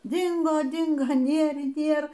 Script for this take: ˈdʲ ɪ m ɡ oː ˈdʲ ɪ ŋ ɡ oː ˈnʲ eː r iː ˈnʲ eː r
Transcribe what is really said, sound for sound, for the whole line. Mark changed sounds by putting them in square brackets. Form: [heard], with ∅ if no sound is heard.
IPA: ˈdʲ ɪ [ŋ] ɡ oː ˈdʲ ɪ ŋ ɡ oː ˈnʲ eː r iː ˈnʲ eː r